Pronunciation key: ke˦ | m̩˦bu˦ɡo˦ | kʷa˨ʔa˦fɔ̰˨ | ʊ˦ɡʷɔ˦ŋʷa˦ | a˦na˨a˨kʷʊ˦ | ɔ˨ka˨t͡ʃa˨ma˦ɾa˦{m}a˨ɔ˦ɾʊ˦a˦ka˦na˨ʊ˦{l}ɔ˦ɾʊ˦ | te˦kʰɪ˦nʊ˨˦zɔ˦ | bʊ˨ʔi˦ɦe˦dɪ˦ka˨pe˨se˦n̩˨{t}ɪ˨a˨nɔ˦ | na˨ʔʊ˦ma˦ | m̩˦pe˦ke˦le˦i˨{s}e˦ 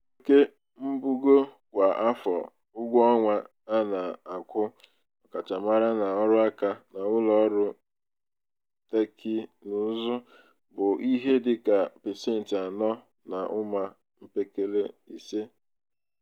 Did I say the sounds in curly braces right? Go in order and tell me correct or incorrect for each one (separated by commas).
incorrect, correct, correct, correct